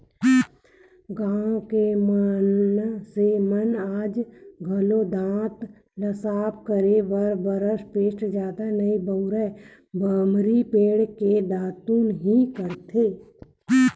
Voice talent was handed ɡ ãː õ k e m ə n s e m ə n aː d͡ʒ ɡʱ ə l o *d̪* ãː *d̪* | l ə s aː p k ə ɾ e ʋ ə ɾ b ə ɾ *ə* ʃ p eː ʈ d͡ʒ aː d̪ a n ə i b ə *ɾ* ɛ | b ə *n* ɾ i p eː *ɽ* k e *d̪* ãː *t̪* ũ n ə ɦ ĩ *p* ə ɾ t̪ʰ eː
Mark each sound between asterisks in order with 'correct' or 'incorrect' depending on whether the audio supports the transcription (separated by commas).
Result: correct, incorrect, correct, correct, incorrect, correct, correct, correct, incorrect